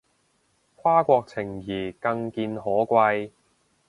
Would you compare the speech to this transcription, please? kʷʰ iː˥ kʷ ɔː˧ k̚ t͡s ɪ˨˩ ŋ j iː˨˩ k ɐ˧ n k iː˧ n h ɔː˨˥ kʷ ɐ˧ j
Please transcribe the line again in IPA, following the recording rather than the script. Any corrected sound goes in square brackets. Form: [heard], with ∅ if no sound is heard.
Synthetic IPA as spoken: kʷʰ [aː˥] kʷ ɔː˧ k̚ [t͡sʰ] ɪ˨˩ ŋ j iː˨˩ k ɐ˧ [ŋ] k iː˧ n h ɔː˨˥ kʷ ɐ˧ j